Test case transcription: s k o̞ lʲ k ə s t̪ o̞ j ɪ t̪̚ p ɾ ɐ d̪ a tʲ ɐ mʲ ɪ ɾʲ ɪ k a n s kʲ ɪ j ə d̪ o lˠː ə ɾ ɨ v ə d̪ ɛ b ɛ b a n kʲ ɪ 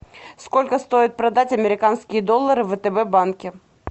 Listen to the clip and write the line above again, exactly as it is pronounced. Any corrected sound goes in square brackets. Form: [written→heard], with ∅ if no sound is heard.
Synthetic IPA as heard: s k o̞ lʲ k ə s t̪ o̞ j ɪ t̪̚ p ɾ ɐ d̪ a tʲ ɐ mʲ ɪ ɾʲ ɪ k a n s kʲ ɪ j ə d̪ o lˠː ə ɾ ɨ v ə [d̪→t̪] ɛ b ɛ b a n kʲ ɪ